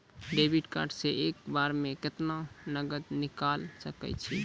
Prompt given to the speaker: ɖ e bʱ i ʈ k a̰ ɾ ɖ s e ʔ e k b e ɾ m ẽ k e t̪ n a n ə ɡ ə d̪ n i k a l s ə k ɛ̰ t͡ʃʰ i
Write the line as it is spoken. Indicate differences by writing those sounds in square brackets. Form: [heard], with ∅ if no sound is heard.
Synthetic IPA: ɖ e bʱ i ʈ k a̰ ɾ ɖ s e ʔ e k b [a] ɾ m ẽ k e t̪ n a n ə ɡ ə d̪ n i k a l s ə k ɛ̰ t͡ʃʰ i